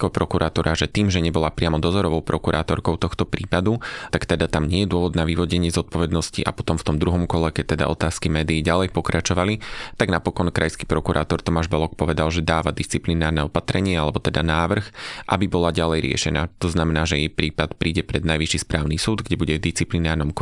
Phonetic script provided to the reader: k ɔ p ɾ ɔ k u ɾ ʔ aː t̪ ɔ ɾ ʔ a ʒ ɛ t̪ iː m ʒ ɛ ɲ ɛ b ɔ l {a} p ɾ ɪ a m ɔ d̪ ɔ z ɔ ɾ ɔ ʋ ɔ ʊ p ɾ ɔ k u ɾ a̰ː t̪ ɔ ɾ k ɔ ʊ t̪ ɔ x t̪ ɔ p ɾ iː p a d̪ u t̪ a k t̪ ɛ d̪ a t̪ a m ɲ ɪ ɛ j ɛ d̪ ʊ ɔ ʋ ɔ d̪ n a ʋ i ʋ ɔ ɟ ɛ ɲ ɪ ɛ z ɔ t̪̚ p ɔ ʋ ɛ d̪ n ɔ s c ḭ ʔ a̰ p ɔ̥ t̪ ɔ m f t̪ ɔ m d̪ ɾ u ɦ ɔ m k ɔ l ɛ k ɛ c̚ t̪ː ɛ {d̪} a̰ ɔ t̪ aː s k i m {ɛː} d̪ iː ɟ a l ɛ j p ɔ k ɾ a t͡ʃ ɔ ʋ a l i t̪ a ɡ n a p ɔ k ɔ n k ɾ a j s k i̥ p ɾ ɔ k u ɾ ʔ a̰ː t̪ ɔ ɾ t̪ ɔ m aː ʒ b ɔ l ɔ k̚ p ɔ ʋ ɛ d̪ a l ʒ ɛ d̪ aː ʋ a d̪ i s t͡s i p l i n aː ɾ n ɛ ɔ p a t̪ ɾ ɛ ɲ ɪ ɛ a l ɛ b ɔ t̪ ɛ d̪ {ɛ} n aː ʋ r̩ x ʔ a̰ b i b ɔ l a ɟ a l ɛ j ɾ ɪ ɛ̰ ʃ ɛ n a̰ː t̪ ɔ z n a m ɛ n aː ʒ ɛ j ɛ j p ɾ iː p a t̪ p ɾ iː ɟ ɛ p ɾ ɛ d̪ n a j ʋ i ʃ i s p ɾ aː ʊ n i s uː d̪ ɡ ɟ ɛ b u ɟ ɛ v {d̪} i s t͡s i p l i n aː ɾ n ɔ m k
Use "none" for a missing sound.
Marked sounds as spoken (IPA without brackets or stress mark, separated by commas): a, d̪, ɛː, a, d̪